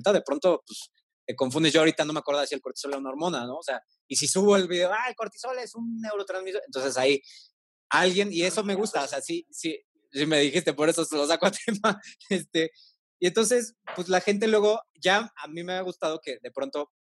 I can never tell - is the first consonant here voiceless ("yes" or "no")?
yes